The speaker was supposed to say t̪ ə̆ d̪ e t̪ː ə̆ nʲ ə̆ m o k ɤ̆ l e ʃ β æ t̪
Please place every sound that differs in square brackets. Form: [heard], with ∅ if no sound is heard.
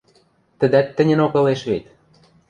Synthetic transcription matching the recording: t̪ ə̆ d̪ [æ] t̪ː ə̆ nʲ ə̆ [n] o k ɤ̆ l e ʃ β [e] t̪